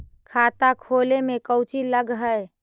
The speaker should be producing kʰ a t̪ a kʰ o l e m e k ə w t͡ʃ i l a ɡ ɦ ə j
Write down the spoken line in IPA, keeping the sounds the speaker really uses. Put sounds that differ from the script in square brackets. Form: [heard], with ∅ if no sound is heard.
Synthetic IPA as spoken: kʰ a t̪ a kʰ o l e m e k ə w t͡ʃ i l [ə] ɡ ɦ ə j